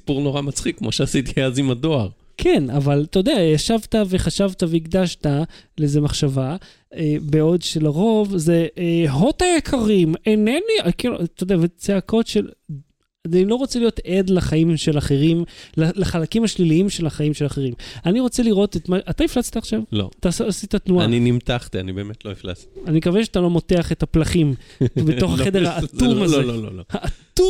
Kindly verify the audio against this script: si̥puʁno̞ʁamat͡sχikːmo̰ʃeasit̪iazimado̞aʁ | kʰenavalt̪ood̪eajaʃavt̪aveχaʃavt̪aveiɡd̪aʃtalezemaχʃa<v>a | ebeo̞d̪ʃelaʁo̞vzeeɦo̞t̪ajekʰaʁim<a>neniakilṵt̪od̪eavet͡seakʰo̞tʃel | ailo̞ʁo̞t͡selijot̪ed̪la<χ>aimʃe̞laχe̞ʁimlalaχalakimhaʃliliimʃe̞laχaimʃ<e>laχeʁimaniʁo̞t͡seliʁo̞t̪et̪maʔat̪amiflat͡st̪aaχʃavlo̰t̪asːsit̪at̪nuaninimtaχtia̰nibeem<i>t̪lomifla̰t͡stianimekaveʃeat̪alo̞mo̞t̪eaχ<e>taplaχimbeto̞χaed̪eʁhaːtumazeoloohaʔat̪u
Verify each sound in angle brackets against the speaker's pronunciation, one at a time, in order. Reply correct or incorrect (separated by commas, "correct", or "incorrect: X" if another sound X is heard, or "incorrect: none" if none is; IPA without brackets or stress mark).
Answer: correct, incorrect: e, correct, correct, incorrect: e, correct